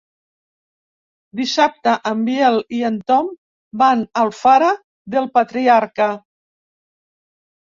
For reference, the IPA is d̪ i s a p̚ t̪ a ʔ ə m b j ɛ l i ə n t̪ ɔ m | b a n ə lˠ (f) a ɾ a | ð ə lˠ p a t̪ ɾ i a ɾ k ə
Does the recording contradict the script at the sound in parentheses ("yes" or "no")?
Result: no